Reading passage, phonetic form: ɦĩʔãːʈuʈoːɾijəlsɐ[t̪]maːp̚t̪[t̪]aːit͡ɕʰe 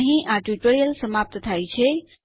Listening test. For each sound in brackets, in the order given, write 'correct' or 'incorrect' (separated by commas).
incorrect, incorrect